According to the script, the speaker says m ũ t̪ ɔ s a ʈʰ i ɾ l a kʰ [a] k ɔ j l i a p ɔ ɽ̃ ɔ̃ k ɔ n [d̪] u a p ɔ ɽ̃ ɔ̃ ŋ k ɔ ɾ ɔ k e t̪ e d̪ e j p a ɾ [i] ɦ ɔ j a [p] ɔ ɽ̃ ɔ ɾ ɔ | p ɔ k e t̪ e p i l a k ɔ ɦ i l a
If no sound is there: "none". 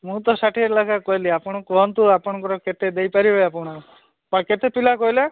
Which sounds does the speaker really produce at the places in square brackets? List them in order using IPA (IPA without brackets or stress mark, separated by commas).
a, t̪, i, p